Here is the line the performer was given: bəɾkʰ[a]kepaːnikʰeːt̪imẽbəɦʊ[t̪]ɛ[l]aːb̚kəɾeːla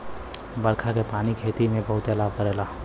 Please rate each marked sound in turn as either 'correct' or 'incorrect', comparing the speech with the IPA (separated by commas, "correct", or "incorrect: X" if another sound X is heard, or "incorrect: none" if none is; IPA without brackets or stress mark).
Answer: correct, correct, correct